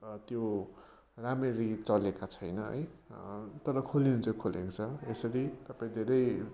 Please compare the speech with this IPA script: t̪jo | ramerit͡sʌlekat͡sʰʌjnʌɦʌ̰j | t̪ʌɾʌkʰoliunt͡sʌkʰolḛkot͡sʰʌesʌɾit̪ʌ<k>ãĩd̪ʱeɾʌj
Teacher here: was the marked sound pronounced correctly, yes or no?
no